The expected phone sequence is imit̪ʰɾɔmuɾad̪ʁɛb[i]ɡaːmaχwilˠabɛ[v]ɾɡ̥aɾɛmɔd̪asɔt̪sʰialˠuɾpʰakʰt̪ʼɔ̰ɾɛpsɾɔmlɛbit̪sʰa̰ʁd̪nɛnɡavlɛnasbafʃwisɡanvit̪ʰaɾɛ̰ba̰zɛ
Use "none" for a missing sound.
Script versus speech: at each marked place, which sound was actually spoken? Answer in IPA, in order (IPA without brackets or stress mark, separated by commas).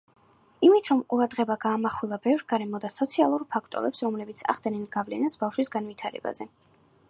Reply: a, v